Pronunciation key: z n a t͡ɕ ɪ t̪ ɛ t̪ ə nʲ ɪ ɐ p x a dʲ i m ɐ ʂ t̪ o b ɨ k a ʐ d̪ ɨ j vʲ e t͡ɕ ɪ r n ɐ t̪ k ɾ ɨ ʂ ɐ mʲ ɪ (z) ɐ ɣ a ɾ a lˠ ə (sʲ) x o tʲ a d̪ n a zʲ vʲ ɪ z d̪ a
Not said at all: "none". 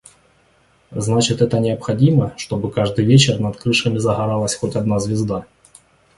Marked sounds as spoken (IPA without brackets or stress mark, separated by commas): z, sʲ